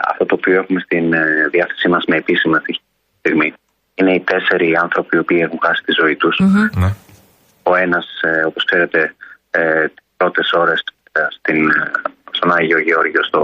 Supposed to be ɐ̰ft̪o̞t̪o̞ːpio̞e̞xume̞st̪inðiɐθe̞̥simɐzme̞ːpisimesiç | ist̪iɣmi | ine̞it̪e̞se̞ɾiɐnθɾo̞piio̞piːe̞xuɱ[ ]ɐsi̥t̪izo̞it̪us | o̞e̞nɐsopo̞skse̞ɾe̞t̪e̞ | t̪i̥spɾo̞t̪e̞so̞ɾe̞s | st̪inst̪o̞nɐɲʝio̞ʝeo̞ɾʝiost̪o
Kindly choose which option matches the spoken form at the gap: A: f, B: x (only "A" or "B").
B